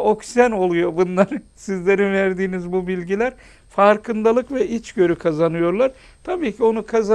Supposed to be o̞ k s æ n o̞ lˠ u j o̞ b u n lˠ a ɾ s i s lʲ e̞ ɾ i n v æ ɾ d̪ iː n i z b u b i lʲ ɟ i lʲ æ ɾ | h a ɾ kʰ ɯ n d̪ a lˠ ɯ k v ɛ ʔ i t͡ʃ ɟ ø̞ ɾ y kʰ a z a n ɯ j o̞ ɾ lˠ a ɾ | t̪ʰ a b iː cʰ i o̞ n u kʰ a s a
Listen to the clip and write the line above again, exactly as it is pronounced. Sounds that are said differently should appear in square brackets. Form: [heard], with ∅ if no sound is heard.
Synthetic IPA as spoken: o̞ k s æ n o̞ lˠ u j o̞ b u n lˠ a ɾ s i [z] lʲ e̞ ɾ i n v æ ɾ d̪ iː n i z b u b i lʲ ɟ i lʲ æ ɾ | [f] a ɾ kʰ ɯ n d̪ a lˠ ɯ k v ɛ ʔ i t͡ʃ ɟ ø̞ ɾ y kʰ a z a n ɯ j o̞ ɾ lˠ a ɾ | t̪ʰ a b iː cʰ i o̞ n u kʰ a [z] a